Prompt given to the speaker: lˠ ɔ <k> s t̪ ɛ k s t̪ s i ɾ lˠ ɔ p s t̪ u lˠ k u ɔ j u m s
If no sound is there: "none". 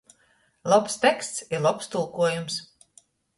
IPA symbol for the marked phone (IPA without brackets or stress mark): p